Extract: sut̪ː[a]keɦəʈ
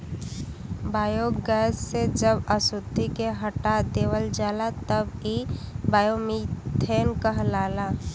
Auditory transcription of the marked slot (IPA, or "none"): i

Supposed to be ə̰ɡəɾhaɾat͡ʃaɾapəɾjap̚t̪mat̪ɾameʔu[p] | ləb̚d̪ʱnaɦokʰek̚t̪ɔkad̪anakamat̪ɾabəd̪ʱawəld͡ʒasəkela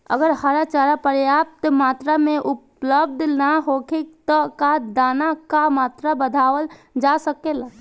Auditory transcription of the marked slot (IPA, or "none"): p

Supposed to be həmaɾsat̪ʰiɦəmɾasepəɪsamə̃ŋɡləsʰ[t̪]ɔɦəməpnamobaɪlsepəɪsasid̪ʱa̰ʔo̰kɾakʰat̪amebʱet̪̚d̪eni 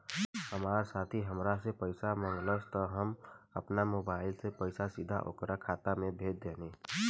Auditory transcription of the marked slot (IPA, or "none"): t̪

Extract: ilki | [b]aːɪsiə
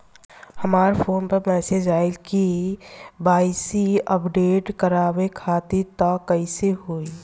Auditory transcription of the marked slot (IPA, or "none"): b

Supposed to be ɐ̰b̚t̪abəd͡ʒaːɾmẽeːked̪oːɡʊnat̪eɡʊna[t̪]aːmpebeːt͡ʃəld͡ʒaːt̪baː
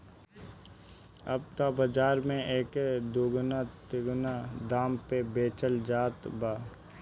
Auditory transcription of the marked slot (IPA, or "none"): d̪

